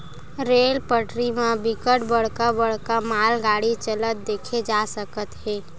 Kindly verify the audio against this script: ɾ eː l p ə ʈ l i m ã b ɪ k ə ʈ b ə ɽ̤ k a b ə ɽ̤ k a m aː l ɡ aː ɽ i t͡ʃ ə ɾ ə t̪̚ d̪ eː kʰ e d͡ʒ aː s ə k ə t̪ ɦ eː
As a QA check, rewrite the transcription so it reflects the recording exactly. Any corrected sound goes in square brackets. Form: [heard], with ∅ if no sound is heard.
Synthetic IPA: ɾ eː l p ə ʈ [ɾ] i m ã b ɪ k ə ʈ b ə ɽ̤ k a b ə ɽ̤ k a m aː l ɡ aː ɽ i t͡ʃ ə [l] ə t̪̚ d̪ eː kʰ e d͡ʒ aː s ə k ə t̪ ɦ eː